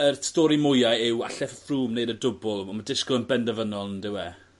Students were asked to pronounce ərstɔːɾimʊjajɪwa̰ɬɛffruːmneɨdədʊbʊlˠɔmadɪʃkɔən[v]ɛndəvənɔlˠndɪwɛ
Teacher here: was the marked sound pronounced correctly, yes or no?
no